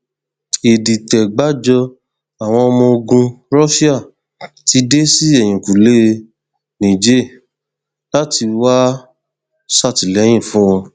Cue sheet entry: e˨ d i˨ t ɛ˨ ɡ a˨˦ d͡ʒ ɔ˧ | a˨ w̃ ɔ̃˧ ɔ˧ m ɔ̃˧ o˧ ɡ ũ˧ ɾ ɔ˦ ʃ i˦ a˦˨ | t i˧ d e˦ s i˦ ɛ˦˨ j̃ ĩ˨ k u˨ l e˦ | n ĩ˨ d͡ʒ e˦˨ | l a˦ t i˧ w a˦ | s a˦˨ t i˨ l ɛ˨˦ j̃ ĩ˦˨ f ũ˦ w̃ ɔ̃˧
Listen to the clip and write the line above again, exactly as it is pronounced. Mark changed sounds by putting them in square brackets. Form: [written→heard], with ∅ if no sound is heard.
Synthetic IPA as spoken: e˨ d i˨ t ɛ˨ [ɡ→ɡ͡b] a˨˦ d͡ʒ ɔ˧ | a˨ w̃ ɔ̃˧ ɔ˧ m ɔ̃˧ o˧ ɡ ũ˧ ɾ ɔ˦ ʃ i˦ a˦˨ | t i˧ d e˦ s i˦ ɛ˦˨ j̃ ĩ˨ k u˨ l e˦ | n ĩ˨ d͡ʒ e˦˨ | l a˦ t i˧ w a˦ | s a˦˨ t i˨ l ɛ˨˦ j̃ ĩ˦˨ f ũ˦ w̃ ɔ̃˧